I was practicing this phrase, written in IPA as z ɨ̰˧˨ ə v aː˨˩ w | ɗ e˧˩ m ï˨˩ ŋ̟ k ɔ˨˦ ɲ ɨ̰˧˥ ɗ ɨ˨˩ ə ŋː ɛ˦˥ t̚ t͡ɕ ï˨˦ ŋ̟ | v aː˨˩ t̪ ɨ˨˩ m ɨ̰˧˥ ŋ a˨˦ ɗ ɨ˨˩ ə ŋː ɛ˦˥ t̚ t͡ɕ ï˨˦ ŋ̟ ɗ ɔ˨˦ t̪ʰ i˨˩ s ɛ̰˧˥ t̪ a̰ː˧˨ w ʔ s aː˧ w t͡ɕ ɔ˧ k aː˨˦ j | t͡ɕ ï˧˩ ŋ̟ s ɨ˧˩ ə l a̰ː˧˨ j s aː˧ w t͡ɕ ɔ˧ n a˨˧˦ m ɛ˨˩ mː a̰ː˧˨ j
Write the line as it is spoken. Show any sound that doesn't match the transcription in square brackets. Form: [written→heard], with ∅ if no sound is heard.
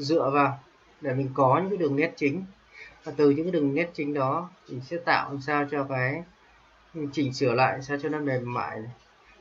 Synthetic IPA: z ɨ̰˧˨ ə v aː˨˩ w | ɗ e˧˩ m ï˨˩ ŋ̟ k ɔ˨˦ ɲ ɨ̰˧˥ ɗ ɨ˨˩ ə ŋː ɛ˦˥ t̚ t͡ɕ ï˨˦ ŋ̟ | v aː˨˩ t̪ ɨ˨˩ [m→ɲ] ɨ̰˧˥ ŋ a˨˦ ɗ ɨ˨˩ ə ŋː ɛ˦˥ t̚ t͡ɕ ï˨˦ ŋ̟ ɗ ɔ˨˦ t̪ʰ i˨˩ s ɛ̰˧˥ t̪ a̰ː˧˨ w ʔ s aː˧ w t͡ɕ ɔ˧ k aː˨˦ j | t͡ɕ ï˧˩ ŋ̟ s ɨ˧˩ ə l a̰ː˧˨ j s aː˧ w t͡ɕ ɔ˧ n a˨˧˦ m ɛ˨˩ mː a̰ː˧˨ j